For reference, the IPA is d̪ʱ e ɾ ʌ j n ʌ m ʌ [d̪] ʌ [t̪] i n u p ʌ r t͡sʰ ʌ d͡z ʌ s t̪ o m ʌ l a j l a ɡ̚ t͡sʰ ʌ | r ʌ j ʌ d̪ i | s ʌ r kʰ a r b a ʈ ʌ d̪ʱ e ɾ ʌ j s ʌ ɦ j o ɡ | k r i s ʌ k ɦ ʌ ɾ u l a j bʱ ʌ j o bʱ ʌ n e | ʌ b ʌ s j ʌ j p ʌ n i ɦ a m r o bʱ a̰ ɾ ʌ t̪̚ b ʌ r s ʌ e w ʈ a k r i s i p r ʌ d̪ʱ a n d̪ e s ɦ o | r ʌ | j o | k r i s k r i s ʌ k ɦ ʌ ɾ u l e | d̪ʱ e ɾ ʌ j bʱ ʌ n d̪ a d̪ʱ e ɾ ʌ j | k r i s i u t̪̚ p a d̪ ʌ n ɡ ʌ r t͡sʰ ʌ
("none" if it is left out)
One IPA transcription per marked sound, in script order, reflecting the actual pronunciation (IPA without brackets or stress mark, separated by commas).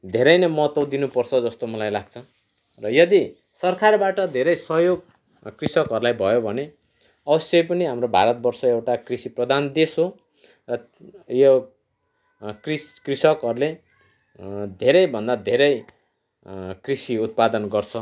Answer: t̪, d̪